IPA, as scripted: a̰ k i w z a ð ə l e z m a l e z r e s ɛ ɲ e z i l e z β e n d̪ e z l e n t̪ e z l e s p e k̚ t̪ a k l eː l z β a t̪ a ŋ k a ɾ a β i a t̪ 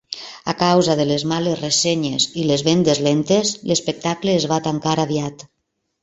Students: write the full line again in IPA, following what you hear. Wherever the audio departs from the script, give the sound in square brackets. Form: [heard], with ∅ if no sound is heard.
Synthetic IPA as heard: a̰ k [a] w z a ð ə l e z m a l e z r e s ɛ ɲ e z i l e z β e n d̪ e z l e n t̪ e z l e s p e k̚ t̪ a k l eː [∅] z β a t̪ a ŋ k a ɾ a β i a t̪